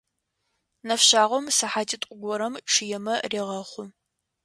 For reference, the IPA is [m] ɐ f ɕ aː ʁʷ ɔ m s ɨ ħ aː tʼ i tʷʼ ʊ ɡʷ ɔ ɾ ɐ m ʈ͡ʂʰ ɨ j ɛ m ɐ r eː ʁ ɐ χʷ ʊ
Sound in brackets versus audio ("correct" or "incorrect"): incorrect